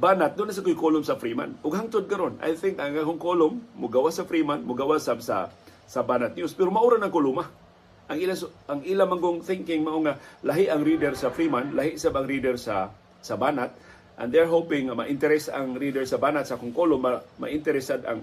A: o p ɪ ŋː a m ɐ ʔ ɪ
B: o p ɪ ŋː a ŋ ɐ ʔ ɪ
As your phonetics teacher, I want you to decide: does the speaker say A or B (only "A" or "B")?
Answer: A